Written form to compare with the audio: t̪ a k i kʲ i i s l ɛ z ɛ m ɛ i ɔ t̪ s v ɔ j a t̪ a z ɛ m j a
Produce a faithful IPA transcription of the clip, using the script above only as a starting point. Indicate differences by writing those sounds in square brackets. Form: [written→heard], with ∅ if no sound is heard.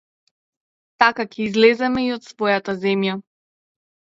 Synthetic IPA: t̪ a k [i→a] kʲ [i→ɛ] i [s→z] l ɛ z ɛ m ɛ i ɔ t̪ s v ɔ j a t̪ a z ɛ m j a

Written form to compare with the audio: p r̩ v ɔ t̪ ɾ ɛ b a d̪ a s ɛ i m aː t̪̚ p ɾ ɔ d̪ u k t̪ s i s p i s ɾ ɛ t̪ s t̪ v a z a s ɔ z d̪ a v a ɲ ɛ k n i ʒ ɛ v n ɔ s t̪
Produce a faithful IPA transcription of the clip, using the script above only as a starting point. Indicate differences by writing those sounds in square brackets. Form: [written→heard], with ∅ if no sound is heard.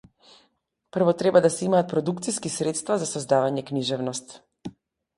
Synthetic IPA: p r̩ v ɔ t̪ ɾ ɛ b a d̪ a s ɛ i m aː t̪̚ p ɾ ɔ d̪ u k t̪ s i s [p→k] i s ɾ ɛ t̪ s t̪ v a z a s ɔ z d̪ a v a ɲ ɛ k n i ʒ ɛ v n ɔ s t̪

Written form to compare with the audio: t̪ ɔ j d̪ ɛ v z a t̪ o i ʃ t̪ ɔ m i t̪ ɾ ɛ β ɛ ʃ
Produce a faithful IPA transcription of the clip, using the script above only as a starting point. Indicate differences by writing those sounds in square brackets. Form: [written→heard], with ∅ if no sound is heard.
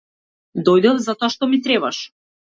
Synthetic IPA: [t̪→d̪] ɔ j d̪ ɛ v z a t̪ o [i→a] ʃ t̪ ɔ m i t̪ ɾ ɛ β [ɛ→a] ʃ

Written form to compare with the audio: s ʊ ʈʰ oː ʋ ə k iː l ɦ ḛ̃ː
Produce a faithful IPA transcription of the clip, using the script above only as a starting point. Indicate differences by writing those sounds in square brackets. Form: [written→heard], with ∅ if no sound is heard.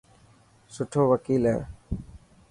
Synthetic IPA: s ʊ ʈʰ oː ʋ ə k iː l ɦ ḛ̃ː

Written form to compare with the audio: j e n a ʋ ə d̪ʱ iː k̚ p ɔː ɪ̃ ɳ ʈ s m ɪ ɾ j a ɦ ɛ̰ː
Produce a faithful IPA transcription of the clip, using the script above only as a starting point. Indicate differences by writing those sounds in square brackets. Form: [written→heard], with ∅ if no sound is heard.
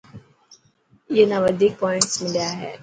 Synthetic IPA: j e n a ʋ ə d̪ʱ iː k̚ p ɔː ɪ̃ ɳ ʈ s m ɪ [ɾ→l] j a ɦ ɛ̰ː

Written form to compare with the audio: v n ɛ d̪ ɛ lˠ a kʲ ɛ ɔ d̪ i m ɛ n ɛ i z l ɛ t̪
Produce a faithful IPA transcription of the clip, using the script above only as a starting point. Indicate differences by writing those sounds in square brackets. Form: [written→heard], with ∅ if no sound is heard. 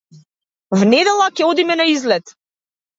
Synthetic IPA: v n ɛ d̪ ɛ lˠ a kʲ ɛ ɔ d̪ i m ɛ n [ɛ→a] i z l ɛ t̪

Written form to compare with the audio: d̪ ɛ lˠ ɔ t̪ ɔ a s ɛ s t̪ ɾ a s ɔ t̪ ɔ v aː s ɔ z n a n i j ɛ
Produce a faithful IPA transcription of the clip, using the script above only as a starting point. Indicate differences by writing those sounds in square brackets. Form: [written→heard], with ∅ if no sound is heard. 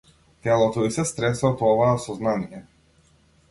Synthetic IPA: [d̪→t̪] ɛ lˠ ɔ t̪ ɔ [a→i] s ɛ s t̪ ɾ [a→ɛ] s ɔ t̪ ɔ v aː s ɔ z n a n i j ɛ

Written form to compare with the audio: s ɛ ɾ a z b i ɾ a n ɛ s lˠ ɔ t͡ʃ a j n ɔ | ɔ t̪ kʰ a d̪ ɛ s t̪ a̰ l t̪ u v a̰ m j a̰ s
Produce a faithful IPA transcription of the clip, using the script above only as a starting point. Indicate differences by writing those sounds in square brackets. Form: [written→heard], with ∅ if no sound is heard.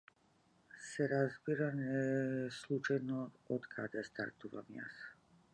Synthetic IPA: s ɛ ɾ a z b i ɾ a n ɛ s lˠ [ɔ→u] t͡ʃ a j n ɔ | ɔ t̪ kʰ a d̪ ɛ s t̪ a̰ [l→ɾ] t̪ u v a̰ m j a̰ s

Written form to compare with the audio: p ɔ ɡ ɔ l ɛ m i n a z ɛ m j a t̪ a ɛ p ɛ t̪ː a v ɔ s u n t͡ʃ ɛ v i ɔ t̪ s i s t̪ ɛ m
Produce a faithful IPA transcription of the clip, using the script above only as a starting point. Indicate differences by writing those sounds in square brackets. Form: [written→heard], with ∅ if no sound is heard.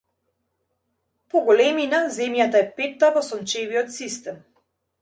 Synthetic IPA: p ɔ ɡ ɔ l ɛ m i n a z ɛ m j a t̪ a ɛ p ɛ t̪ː a v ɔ s [u→ɔ] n t͡ʃ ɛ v i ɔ t̪ s i s t̪ ɛ m

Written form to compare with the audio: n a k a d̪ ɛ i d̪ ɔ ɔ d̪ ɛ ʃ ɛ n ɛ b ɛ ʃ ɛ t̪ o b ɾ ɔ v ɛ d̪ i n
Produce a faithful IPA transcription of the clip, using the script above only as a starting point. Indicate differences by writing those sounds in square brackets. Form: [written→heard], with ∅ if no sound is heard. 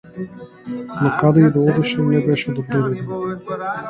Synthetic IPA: n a k a d̪ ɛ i d̪ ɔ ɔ d̪ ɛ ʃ ɛ n ɛ b ɛ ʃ ɛ [t̪→d̪] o b ɾ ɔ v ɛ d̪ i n

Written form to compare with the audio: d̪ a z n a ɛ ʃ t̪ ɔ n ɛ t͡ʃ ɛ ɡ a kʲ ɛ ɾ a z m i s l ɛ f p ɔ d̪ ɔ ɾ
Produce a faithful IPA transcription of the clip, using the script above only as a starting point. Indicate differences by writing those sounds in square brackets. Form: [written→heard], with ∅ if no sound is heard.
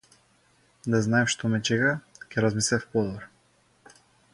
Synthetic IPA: d̪ a z n a ɛ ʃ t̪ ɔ [n→m] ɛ t͡ʃ ɛ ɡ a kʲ ɛ ɾ a z m i s l ɛ f p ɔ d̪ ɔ ɾ

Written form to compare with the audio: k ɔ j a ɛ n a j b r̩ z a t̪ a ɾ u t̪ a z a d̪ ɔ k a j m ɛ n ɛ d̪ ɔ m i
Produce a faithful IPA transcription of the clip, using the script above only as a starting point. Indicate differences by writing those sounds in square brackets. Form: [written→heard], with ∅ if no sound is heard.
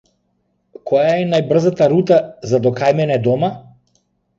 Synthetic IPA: k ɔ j a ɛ n a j b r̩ z a t̪ a ɾ u t̪ a z a d̪ ɔ k a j m ɛ n ɛ d̪ ɔ m [i→a]

